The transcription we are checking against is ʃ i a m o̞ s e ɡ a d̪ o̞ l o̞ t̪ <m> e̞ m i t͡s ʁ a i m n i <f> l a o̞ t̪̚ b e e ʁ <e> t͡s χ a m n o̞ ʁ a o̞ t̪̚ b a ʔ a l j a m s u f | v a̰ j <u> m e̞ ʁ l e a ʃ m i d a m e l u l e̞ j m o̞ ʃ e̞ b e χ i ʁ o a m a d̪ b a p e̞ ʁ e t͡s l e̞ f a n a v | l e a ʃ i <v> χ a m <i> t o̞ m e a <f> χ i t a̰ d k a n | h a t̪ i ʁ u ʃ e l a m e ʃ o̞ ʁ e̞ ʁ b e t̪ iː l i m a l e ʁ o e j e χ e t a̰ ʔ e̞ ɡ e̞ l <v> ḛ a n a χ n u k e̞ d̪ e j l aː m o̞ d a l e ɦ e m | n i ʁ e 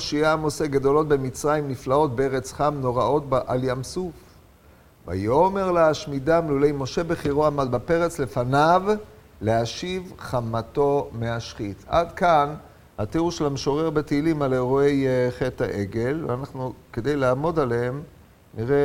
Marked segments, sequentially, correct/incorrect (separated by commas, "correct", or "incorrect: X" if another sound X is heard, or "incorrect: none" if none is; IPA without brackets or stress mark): incorrect: b, correct, correct, incorrect: o, correct, incorrect: a, incorrect: ʃ, correct